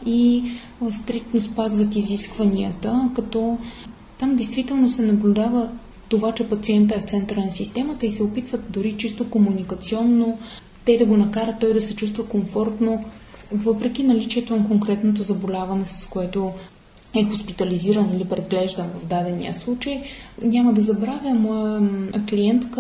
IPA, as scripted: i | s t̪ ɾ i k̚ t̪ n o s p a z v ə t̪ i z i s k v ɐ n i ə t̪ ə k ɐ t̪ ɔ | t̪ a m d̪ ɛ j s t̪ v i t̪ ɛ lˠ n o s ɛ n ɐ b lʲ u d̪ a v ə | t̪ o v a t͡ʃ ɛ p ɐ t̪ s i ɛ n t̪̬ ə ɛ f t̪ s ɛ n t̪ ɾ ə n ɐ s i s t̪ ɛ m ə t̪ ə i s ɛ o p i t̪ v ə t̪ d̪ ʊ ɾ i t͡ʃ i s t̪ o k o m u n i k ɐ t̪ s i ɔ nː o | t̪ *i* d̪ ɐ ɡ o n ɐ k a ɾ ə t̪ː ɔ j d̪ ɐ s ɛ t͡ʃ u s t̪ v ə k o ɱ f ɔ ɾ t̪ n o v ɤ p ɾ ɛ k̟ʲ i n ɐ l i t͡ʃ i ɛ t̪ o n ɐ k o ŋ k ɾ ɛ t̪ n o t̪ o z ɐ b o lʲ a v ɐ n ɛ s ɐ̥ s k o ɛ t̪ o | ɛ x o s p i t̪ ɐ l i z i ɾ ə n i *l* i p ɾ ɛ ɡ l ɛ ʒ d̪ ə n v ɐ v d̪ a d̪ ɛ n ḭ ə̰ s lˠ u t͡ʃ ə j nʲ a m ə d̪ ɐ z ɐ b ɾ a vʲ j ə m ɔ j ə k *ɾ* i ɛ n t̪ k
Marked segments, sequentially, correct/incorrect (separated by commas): incorrect, correct, incorrect